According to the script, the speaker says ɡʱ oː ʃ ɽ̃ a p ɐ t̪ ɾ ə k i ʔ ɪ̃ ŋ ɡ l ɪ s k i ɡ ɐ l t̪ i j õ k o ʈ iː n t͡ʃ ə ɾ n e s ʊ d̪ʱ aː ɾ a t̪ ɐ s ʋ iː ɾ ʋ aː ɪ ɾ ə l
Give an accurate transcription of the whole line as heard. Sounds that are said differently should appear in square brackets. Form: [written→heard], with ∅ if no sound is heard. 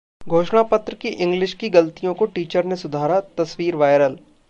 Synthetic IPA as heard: ɡʱ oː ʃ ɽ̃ a p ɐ t̪ ɾ ə k i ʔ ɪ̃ ŋ ɡ l ɪ [s→ʃ] k i ɡ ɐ l t̪ i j õ k o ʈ iː [n→∅] t͡ʃ ə ɾ n e s ʊ d̪ʱ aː ɾ a t̪ ɐ s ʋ iː ɾ ʋ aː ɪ ɾ ə l

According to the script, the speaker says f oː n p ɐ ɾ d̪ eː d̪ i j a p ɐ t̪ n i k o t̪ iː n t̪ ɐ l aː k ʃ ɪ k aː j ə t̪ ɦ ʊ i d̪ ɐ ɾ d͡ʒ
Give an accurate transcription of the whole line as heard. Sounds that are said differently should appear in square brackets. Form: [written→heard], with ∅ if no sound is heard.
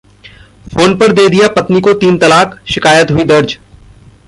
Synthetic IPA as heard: f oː n p ɐ ɾ d̪ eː d̪ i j a p ɐ t̪ n i k o t̪ iː n t̪ ɐ l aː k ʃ ɪ k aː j ə t̪ ɦ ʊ i d̪ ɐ ɾ d͡ʒ

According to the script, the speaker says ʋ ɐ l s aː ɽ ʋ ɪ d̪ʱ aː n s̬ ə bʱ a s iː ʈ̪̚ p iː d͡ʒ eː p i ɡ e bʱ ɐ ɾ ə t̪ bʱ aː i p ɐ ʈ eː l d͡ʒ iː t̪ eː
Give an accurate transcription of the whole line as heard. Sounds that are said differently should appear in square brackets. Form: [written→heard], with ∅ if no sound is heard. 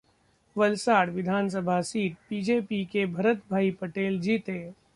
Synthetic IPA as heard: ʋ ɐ l s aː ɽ ʋ ɪ d̪ʱ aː n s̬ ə bʱ a s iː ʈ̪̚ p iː d͡ʒ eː p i [ɡ→k] e bʱ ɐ ɾ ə t̪ bʱ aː i p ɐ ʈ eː l d͡ʒ iː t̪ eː

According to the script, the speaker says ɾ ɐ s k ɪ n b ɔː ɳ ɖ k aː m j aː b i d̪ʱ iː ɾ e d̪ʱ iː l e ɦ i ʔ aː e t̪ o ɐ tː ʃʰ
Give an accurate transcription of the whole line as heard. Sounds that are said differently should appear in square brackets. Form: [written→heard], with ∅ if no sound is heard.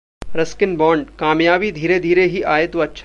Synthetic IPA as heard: ɾ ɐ s k ɪ n b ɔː ɳ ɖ k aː m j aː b i d̪ʱ iː ɾ e d̪ʱ iː [l→ɾ] e ɦ i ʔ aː e t̪ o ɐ tː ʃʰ

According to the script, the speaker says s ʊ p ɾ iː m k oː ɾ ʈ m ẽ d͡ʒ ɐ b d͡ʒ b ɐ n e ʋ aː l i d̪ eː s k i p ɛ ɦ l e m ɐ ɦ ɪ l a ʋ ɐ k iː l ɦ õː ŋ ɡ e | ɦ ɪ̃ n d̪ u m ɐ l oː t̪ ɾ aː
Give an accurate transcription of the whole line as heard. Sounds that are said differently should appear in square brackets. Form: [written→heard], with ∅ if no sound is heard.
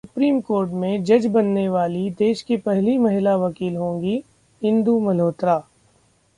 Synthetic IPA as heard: s ʊ p ɾ iː m k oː ɾ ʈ m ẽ d͡ʒ ɐ [b→∅] d͡ʒ b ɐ [n→nː] e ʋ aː l i d̪ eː [s→ʃ] k i p ɛ ɦ l [e→i] m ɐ ɦ ɪ l a ʋ ɐ k iː l ɦ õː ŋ ɡ [e→i] | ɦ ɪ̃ n d̪ u m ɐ l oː t̪ ɾ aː

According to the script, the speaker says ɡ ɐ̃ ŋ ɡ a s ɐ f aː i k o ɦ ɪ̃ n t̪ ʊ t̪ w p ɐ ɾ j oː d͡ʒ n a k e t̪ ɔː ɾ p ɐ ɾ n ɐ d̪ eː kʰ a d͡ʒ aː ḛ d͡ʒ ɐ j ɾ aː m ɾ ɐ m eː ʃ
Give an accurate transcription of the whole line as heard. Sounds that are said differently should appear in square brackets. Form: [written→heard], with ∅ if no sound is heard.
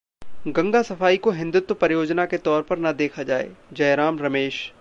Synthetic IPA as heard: ɡ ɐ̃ ŋ ɡ a s ɐ f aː i k o ɦ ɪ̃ n [t̪→d̪] ʊ t̪ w p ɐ ɾ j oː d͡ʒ n a k e t̪ ɔː ɾ p ɐ ɾ n ɐ d̪ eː kʰ a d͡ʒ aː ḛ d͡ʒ ɐ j ɾ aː m ɾ ɐ m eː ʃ

